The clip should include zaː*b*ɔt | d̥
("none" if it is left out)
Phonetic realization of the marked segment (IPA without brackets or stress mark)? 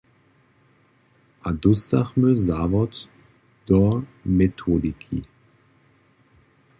v